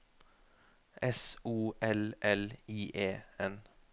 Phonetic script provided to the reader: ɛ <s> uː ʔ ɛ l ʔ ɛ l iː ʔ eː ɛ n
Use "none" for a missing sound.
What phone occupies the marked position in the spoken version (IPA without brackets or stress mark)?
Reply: s